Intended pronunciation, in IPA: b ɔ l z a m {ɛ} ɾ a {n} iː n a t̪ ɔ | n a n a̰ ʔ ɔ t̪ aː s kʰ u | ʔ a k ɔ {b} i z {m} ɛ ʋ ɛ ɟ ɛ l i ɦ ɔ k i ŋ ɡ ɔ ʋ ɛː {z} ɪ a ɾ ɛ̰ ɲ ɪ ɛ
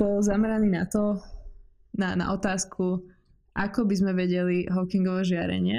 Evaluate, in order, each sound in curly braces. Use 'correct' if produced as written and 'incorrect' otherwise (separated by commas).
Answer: correct, correct, correct, correct, incorrect